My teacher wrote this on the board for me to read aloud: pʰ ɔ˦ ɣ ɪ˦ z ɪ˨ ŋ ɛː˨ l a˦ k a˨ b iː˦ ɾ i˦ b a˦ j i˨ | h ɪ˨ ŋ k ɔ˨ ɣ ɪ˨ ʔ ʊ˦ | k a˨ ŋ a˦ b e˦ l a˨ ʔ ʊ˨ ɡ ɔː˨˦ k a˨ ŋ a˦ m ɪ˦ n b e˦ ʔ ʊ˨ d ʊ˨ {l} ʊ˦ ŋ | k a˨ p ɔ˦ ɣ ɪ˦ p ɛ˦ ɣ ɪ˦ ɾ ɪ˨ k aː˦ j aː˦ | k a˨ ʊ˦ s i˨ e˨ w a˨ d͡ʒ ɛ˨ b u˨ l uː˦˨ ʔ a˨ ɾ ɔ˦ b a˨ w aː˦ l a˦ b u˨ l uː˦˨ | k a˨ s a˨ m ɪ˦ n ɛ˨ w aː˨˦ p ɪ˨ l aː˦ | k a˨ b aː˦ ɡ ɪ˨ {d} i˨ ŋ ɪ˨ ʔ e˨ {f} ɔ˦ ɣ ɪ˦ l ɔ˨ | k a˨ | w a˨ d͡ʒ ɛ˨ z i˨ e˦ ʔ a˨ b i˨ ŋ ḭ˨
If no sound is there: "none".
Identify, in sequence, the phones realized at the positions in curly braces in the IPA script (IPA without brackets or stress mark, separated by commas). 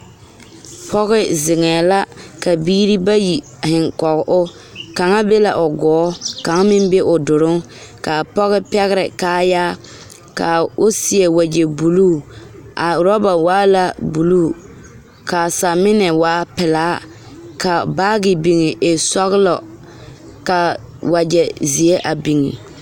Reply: ɾ, b, s